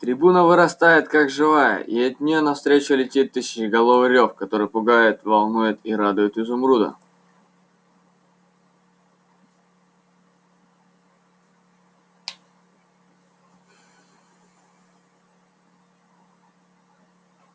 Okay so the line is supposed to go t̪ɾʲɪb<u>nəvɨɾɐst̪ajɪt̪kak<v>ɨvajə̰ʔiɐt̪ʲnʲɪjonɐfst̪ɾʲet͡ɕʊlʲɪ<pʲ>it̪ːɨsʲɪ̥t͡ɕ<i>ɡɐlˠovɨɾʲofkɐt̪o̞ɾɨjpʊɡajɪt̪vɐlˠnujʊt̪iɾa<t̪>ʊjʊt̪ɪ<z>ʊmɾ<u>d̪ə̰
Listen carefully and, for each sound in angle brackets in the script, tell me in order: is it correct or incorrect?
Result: correct, incorrect, incorrect, incorrect, incorrect, correct, correct

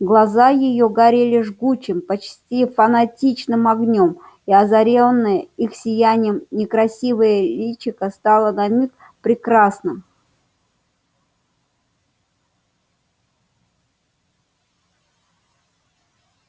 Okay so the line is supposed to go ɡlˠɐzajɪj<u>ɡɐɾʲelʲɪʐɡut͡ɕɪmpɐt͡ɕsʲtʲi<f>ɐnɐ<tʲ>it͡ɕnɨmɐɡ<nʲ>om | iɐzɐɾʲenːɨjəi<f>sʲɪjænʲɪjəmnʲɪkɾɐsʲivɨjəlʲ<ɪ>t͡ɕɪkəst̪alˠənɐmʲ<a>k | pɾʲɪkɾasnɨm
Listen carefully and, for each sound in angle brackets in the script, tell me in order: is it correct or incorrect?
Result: incorrect, correct, correct, correct, incorrect, incorrect, incorrect

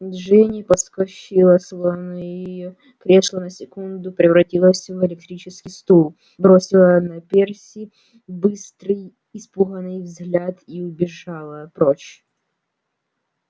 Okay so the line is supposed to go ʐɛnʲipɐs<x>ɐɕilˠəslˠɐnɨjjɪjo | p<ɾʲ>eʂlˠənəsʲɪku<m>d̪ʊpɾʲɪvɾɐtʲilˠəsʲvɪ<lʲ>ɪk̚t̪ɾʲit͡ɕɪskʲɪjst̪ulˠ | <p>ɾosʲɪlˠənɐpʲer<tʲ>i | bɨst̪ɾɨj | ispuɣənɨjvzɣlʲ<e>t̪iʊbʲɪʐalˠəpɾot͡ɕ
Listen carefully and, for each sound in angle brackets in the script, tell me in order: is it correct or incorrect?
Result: incorrect, correct, incorrect, correct, incorrect, incorrect, incorrect

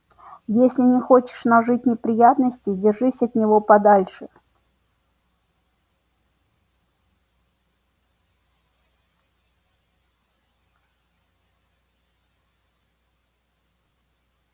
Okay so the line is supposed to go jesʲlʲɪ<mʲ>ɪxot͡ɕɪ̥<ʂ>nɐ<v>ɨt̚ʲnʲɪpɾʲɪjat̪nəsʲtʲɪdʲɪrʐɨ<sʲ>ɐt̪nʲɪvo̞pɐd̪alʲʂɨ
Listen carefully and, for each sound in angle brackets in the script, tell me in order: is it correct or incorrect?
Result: incorrect, correct, incorrect, correct

